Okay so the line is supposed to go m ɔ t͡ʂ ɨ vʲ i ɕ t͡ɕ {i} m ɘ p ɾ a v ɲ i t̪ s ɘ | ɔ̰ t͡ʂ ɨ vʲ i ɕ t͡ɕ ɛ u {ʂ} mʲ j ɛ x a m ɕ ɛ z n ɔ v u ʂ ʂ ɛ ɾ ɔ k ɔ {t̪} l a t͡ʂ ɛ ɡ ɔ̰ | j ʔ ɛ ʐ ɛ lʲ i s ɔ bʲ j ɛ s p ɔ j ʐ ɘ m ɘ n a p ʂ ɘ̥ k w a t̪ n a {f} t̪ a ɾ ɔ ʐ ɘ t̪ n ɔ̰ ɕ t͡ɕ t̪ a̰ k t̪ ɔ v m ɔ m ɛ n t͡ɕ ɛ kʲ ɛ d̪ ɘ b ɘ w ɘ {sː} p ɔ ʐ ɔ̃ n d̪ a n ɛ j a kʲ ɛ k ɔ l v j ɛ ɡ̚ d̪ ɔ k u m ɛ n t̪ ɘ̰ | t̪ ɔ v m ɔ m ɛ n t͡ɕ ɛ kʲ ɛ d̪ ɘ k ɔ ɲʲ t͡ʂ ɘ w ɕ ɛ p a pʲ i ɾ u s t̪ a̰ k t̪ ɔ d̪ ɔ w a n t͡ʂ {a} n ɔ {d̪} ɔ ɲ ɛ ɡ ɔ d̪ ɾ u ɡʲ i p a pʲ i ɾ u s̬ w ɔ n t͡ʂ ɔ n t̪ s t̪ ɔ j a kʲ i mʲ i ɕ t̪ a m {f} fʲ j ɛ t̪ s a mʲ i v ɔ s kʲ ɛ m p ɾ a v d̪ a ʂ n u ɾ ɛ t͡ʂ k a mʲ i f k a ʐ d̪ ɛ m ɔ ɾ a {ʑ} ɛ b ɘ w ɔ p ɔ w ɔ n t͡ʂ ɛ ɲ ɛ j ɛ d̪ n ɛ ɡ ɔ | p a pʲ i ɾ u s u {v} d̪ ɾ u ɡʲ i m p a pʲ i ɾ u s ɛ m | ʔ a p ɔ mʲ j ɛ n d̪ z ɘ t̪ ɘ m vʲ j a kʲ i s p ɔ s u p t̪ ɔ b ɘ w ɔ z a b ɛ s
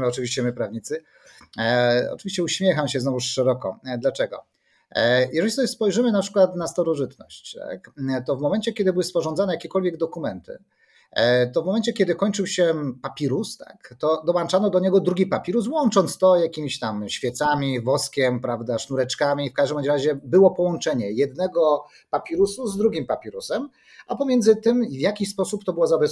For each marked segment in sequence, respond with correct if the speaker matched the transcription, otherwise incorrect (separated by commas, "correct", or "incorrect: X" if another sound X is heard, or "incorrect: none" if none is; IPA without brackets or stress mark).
incorrect: ɛ, incorrect: ɕ, incorrect: d̪, incorrect: s, incorrect: s, correct, correct, incorrect: ɕ, correct, incorrect: z